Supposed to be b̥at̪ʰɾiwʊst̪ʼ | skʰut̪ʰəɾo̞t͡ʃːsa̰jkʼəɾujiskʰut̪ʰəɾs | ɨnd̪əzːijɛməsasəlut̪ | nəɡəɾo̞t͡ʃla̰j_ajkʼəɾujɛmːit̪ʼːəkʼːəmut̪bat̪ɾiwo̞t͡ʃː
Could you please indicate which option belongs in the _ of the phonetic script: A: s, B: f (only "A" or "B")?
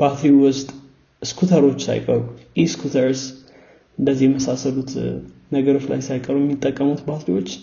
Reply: A